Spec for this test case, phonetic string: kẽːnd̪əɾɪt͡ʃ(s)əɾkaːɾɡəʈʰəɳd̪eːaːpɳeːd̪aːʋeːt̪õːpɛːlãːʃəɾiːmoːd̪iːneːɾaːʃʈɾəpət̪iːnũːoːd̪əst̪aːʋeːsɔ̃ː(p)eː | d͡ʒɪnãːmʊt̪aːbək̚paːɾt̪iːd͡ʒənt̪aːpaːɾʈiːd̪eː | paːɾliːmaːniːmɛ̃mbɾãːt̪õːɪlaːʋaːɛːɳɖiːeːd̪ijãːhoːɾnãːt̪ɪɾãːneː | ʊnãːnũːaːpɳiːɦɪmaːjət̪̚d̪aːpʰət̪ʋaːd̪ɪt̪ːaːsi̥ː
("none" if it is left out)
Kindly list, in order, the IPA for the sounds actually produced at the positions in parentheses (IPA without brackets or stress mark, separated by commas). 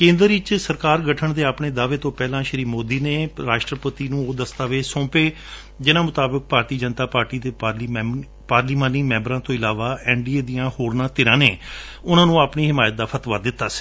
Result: s, p